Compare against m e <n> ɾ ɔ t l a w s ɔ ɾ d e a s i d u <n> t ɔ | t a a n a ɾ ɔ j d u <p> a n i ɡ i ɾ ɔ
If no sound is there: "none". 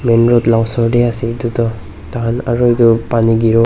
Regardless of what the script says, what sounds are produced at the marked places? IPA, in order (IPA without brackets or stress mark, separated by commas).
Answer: n, none, p